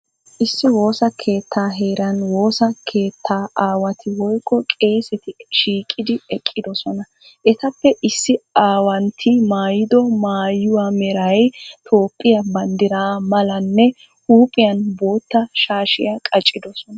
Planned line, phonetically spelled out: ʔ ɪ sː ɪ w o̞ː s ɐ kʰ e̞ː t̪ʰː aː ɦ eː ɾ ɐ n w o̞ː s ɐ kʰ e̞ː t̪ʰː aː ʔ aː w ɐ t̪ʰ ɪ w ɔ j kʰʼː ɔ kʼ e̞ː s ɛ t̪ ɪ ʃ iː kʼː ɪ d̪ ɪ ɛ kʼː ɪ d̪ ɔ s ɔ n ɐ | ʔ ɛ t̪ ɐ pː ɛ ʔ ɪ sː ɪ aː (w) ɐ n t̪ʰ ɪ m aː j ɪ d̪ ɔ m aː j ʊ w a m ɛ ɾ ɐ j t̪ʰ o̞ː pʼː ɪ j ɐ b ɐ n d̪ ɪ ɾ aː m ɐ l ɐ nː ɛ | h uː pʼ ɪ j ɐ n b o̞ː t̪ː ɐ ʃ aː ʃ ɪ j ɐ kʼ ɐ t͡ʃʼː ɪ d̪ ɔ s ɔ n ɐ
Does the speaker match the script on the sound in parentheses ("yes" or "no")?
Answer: yes